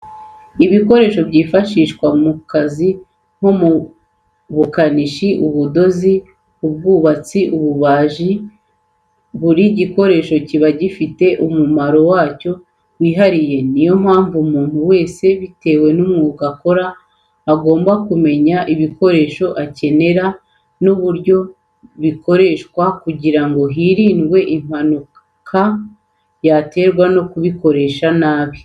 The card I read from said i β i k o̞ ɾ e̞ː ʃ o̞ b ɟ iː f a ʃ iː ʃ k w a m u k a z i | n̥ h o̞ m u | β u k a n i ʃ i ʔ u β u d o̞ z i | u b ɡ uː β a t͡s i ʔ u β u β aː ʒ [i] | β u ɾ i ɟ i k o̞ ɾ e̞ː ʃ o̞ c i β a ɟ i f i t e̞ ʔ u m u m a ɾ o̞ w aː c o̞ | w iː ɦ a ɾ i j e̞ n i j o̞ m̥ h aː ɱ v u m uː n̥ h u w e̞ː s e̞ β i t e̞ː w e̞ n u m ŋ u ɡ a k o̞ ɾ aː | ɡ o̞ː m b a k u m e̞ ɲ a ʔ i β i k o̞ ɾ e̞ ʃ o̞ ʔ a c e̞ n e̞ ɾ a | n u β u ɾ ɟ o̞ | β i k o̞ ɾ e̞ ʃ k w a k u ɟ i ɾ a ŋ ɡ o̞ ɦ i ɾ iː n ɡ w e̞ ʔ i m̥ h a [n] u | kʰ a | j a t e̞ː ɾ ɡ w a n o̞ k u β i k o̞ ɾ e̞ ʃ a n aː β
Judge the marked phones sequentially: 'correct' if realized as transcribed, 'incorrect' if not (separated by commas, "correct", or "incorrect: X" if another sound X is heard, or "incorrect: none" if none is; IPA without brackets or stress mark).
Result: correct, correct